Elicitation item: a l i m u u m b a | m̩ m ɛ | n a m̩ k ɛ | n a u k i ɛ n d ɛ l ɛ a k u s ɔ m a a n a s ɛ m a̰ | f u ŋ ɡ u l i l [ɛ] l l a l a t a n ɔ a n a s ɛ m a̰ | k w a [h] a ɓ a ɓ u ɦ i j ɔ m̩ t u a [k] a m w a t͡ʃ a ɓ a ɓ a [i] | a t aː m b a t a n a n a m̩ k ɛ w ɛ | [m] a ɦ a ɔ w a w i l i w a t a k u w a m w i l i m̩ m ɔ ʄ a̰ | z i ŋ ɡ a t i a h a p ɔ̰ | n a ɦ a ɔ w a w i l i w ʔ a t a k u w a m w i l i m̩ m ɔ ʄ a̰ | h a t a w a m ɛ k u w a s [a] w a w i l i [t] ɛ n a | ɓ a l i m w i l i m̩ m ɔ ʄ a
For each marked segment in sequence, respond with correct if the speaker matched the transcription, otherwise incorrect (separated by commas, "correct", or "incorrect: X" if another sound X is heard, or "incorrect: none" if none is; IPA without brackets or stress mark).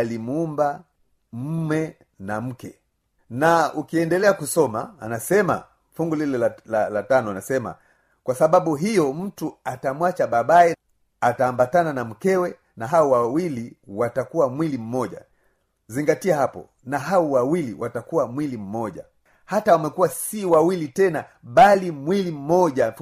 correct, incorrect: s, incorrect: t, incorrect: ɛ, incorrect: n, incorrect: i, correct